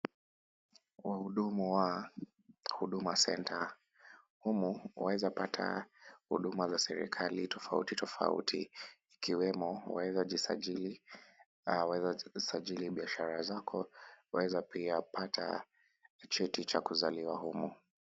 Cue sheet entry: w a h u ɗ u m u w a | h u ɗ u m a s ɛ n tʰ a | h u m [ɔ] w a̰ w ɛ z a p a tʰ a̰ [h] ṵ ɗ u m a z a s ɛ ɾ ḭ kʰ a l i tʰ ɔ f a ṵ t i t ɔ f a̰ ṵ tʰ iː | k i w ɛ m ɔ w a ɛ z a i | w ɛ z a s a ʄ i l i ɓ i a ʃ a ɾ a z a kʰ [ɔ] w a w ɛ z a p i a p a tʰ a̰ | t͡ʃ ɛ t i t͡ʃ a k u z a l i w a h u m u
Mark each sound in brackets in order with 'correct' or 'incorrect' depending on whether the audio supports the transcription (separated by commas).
incorrect, correct, correct